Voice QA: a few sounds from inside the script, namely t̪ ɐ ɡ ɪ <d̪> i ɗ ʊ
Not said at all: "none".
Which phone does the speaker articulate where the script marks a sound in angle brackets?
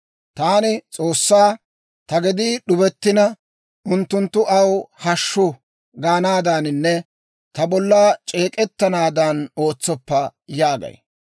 d̪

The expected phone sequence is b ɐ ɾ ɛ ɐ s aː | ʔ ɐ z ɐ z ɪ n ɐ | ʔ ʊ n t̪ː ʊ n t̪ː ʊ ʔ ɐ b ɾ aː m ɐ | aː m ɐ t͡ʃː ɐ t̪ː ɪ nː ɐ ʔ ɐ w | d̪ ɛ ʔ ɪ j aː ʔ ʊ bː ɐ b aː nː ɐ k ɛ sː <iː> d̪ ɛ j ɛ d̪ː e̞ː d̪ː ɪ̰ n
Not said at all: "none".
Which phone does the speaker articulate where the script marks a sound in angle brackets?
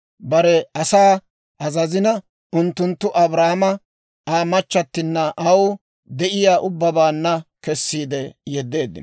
iː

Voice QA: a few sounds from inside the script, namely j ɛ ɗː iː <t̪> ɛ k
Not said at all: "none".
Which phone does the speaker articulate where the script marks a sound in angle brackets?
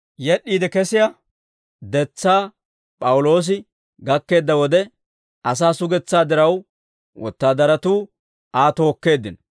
d̪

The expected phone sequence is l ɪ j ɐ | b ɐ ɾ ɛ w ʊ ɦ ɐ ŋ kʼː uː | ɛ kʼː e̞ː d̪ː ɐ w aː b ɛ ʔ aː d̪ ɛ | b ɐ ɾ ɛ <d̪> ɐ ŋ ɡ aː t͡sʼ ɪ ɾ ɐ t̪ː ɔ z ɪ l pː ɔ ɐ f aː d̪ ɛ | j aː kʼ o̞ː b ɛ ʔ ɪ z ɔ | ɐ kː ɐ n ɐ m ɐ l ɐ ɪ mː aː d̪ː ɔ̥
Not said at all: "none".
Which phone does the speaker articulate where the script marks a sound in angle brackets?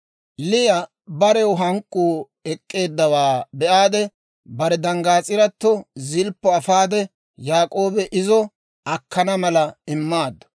d̪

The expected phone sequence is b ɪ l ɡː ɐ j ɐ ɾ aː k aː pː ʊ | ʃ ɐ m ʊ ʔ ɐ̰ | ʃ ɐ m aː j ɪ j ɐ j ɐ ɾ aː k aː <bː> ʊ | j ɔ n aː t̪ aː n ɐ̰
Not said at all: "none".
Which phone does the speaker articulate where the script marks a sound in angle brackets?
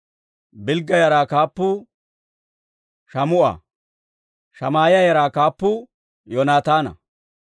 pː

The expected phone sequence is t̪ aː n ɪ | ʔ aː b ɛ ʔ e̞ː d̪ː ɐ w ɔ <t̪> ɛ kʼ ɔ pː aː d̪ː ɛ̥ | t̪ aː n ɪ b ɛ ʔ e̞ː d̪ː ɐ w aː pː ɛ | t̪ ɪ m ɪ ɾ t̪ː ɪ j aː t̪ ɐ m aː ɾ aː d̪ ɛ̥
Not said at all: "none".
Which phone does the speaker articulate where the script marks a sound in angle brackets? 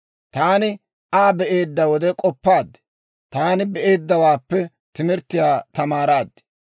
d̪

